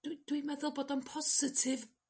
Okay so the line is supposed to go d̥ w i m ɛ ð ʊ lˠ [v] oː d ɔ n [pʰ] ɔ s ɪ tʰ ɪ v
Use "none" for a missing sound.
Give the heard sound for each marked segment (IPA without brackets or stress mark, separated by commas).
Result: b, pʰ